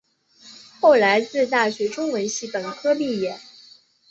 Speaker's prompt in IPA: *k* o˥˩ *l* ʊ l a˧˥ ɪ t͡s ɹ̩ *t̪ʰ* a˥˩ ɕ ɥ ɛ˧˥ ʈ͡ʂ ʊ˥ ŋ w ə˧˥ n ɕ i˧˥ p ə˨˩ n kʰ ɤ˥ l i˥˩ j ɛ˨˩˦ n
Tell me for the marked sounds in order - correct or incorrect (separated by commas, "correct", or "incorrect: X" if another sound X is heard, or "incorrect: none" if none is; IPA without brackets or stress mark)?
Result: incorrect: x, incorrect: none, incorrect: t̪